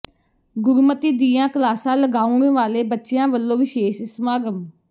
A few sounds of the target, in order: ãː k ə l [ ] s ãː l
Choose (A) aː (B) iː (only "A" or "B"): A